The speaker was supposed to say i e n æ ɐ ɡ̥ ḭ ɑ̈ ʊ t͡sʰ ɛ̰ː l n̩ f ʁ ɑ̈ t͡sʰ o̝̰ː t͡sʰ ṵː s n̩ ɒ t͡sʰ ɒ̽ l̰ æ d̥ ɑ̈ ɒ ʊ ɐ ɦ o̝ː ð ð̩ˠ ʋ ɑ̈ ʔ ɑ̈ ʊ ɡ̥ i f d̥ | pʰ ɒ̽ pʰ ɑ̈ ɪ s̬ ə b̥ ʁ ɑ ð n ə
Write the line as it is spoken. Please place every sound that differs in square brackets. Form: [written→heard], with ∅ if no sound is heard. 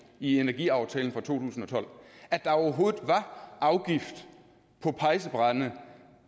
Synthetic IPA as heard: i e n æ ɐ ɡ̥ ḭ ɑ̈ ʊ t͡sʰ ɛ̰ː l n̩ f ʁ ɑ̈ t͡sʰ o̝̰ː t͡sʰ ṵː s n̩ ɒ t͡sʰ ɒ̽ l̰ æ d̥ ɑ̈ ɒ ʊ ɐ ɦ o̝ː ð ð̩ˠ ʋ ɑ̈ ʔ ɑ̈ ʊ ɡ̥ i f d̥ | pʰ ɒ̽ pʰ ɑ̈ ɪ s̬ ə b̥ ʁ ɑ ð n ə